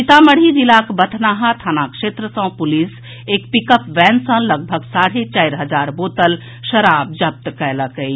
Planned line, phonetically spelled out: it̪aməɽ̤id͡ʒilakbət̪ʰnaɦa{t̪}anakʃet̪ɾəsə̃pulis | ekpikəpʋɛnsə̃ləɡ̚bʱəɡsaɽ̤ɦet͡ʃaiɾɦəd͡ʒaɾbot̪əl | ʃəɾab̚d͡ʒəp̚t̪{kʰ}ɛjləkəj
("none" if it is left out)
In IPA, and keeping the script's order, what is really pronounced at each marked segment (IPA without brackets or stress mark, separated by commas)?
t̪ʰ, k